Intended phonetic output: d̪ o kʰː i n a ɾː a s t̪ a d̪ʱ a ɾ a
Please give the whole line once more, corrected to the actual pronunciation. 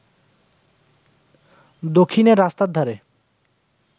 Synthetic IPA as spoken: d̪ o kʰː i n e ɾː a s t̪ a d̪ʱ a ɾ e